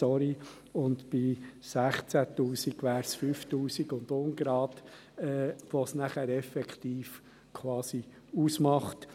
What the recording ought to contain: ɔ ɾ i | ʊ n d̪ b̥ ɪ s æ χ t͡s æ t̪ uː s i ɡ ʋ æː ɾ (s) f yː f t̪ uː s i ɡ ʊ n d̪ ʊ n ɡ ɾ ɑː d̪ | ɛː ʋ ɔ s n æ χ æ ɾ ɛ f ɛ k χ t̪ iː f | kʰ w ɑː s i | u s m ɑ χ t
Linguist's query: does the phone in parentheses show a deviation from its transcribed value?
no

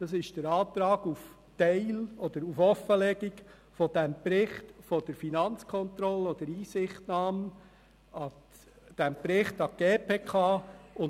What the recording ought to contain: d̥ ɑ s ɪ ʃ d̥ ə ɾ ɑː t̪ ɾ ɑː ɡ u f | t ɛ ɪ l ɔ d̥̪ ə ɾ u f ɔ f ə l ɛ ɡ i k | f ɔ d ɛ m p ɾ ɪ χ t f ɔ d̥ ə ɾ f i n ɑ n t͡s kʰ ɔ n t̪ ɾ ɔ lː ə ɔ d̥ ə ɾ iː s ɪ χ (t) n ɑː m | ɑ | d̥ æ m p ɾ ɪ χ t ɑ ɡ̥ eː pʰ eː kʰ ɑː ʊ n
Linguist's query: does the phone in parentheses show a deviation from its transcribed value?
no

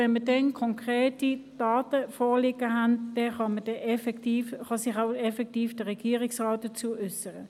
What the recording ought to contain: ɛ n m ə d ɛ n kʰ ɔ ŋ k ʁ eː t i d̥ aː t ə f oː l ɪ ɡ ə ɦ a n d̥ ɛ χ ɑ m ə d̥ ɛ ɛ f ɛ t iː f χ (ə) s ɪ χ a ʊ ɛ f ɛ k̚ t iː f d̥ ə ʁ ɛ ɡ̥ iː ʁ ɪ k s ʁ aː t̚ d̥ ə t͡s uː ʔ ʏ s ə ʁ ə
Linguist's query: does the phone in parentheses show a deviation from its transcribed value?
yes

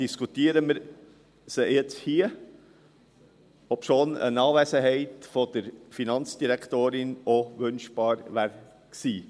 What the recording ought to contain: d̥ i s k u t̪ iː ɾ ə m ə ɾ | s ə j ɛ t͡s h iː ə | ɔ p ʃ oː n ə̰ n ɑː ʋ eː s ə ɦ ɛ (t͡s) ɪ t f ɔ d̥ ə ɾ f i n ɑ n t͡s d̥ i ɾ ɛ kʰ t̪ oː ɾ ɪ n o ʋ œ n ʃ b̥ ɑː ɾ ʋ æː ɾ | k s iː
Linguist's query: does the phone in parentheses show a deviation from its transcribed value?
yes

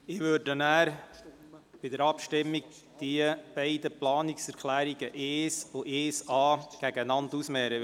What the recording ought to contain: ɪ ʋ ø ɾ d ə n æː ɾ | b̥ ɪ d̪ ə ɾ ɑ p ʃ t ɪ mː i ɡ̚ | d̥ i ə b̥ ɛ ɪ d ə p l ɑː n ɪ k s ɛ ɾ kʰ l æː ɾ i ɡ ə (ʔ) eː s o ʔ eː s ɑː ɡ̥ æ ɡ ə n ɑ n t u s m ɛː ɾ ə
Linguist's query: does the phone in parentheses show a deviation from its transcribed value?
no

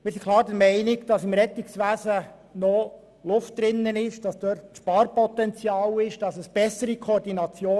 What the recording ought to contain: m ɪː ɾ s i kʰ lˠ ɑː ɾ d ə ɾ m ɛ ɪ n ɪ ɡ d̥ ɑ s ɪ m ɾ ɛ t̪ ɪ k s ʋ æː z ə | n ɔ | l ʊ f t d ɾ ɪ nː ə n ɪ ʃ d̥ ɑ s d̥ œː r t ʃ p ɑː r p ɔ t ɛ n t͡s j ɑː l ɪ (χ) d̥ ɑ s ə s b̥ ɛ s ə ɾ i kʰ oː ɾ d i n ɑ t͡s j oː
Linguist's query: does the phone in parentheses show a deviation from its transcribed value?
yes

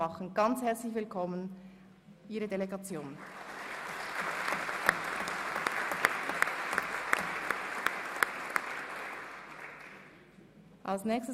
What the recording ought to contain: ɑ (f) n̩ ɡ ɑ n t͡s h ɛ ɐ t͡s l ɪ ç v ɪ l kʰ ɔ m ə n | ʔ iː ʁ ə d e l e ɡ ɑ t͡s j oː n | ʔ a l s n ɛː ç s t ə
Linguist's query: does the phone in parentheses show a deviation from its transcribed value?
yes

